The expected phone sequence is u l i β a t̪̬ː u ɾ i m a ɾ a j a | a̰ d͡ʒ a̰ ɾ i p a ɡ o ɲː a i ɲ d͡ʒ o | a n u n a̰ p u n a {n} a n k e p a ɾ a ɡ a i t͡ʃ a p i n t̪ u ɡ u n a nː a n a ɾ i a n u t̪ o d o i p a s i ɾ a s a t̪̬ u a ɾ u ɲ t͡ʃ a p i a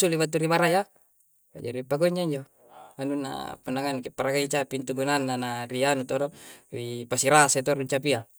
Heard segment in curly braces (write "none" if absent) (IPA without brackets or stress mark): ŋ